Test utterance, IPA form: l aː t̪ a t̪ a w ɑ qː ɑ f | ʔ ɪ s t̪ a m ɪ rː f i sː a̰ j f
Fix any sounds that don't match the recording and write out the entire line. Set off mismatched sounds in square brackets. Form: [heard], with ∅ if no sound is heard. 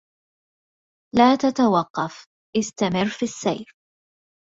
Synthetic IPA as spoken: l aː t̪ a t̪ a w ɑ qː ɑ f | ʔ ɪ s t̪ a m ɪ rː f i sː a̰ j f